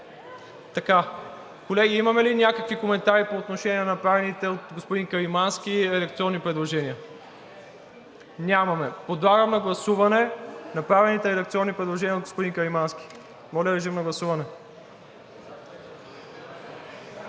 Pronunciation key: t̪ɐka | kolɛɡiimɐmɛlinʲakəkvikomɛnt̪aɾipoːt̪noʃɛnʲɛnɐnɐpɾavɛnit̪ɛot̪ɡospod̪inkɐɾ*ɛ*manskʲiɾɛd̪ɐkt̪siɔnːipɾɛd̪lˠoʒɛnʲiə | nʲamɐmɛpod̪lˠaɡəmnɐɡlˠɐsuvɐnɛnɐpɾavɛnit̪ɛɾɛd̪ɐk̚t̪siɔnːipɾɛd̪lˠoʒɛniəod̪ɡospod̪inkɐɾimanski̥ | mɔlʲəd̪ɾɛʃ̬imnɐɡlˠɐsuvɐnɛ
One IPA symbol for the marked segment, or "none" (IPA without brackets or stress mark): i